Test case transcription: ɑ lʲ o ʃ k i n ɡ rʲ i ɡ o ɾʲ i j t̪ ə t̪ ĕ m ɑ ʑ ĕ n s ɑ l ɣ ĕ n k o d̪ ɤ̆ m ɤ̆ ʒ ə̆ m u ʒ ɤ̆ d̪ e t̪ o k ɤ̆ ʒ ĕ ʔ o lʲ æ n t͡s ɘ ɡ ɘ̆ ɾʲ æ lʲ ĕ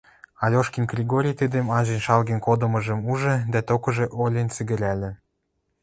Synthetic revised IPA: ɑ lʲ o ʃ k i n ɡ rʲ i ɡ o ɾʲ i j t̪ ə d̪ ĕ m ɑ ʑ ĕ n ʃ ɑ l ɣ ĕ n k o d̪ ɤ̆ m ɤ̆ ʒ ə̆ m u ʒ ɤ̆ d̪ æ t̪ o k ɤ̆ ʒ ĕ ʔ o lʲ e n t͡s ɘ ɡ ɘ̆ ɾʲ æ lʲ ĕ